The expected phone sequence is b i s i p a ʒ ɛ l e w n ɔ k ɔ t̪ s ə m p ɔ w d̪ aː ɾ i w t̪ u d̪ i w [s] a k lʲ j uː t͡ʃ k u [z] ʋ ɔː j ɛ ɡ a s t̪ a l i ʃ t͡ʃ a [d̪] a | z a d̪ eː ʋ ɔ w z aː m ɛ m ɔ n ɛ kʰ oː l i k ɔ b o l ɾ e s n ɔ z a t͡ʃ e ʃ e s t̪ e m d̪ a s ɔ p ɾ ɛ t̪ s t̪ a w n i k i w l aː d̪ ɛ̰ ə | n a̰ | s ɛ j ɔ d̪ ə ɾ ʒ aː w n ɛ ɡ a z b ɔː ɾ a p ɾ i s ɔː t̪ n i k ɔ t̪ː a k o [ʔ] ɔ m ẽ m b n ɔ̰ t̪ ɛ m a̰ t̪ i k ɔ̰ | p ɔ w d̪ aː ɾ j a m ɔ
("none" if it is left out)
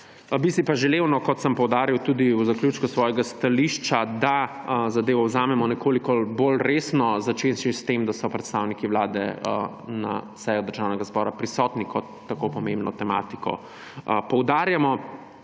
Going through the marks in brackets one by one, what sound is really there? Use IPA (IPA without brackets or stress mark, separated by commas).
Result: z, s, d̪, p